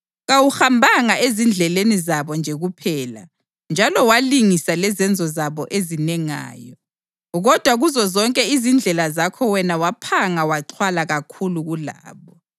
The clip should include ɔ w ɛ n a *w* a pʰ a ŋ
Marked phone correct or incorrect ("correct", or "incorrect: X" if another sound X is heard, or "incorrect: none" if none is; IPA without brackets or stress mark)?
correct